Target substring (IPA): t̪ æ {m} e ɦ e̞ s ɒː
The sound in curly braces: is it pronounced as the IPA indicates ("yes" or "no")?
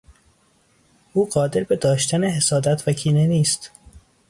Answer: no